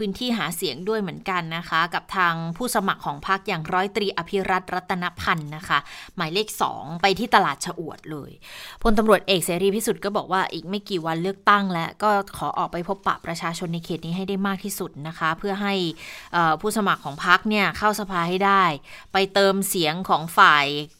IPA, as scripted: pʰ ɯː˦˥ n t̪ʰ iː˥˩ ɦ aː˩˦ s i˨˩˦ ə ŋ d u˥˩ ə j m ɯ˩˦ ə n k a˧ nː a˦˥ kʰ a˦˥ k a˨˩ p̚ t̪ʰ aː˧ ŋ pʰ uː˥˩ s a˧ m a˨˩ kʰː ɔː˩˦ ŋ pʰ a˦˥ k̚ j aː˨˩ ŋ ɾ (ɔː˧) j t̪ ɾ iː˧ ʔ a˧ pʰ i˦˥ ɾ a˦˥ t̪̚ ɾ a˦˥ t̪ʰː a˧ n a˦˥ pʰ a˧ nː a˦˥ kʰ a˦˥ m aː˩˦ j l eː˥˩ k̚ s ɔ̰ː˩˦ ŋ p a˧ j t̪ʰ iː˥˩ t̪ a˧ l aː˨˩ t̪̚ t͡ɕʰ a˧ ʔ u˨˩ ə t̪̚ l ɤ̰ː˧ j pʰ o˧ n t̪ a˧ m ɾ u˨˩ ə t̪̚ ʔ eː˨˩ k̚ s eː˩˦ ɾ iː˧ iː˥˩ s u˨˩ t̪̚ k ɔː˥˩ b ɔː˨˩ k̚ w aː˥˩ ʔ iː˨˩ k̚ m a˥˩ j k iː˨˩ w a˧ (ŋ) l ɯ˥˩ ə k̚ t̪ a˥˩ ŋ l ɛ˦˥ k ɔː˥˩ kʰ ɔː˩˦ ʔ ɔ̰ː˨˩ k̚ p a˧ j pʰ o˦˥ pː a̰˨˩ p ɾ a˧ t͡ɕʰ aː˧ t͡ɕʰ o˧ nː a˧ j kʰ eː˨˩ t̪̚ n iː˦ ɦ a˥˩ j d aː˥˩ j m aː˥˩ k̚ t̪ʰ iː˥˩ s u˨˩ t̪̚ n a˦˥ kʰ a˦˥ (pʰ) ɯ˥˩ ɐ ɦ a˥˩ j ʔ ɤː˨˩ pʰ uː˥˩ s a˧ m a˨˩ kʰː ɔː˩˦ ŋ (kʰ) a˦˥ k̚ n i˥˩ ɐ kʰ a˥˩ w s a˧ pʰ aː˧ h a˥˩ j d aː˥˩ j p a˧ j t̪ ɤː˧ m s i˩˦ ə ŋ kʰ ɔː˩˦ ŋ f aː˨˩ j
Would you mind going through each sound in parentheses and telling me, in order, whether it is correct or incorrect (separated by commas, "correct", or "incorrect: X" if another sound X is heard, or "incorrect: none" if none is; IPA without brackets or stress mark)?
incorrect: ɔː˦˥, incorrect: n, correct, incorrect: pʰ